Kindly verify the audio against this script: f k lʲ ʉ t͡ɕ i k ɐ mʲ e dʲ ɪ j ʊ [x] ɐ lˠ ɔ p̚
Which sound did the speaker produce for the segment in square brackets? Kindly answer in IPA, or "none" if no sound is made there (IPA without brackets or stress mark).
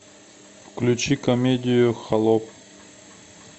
x